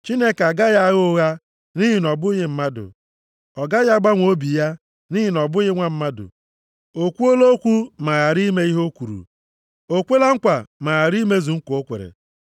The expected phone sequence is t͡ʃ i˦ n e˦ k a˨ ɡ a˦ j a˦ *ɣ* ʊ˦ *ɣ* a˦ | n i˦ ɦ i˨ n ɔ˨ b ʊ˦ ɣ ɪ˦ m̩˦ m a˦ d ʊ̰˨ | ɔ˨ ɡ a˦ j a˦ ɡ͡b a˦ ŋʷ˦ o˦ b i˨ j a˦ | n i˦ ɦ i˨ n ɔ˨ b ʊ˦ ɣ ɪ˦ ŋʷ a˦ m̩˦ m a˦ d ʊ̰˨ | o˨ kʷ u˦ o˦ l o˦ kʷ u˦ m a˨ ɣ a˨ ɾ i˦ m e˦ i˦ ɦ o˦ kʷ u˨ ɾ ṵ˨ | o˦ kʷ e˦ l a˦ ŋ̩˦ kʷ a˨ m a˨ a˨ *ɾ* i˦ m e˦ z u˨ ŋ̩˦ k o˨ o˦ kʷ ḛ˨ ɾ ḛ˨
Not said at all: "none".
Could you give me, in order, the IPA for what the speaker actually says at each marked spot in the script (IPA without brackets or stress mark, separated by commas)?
ɣ, ɣ, ɾ